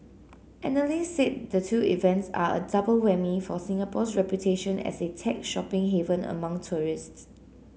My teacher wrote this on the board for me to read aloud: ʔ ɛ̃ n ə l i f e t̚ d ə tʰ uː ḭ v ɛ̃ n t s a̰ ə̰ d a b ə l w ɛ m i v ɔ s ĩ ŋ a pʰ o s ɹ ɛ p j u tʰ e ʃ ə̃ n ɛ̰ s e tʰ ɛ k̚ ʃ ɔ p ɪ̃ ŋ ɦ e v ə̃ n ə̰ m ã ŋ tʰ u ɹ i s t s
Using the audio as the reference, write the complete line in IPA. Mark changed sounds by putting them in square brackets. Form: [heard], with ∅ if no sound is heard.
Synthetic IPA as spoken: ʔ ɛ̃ n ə l i [s] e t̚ d ə tʰ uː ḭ v ɛ̃ n t s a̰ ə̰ d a b ə l w ɛ m i [f] ɔ s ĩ ŋ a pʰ [ɔ] s ɹ ɛ p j u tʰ e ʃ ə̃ n ɛ̰ s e tʰ ɛ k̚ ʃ ɔ p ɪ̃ ŋ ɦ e v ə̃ n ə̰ m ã ŋ tʰ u ɹ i s t s